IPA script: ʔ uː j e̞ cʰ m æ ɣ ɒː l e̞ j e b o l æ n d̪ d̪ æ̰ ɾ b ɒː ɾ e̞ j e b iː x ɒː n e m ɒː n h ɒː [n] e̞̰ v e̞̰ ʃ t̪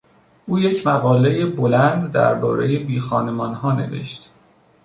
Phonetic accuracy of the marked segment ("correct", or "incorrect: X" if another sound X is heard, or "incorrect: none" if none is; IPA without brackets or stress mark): correct